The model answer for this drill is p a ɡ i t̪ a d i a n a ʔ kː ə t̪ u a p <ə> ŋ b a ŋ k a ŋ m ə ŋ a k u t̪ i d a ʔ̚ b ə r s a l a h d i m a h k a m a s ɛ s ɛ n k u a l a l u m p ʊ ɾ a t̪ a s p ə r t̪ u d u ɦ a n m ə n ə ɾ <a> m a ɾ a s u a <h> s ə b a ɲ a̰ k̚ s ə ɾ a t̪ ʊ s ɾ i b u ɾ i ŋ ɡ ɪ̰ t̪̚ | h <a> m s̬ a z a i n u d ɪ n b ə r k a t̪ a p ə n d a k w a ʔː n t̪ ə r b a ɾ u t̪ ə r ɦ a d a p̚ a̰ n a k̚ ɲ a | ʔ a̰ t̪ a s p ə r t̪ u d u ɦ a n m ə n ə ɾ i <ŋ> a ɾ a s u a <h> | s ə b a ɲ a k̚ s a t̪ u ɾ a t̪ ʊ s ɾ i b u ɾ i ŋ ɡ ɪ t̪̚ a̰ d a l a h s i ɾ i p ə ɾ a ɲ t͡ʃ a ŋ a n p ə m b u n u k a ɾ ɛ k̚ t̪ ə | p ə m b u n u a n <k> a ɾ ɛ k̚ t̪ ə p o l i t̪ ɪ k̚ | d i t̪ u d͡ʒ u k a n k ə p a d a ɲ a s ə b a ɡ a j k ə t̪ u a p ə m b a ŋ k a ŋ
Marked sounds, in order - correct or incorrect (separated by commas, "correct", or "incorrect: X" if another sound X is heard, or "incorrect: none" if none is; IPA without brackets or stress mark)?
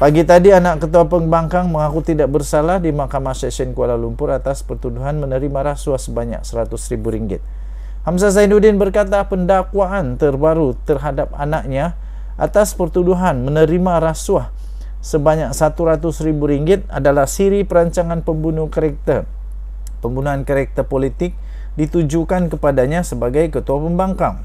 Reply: correct, incorrect: i, correct, correct, incorrect: m, correct, correct